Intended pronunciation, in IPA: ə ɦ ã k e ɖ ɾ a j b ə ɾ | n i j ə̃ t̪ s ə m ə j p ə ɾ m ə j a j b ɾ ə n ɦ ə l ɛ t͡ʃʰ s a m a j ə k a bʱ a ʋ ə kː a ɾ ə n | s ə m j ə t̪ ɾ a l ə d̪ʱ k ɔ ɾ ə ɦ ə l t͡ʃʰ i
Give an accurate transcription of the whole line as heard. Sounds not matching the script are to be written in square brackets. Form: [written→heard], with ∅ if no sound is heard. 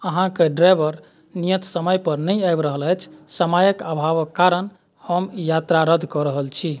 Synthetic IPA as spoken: ə ɦ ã k e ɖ ɾ a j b ə ɾ | n i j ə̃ t̪ s ə m ə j p ə ɾ [m→n] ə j a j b ɾ ə [n→∅] ɦ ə l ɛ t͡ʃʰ s [a→ə] m a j ə k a bʱ a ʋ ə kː a ɾ ə n | [s→h] ə m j [ə→a] t̪ ɾ a [l→ɾ] ə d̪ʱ k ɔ ɾ ə ɦ ə l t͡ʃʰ i